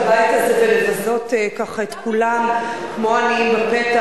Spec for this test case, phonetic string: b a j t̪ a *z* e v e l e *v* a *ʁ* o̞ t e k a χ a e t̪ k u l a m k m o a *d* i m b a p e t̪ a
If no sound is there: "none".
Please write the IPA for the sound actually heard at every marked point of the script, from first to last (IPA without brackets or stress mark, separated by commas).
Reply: z, v, z, n